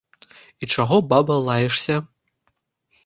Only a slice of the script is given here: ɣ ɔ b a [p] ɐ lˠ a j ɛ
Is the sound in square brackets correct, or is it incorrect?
incorrect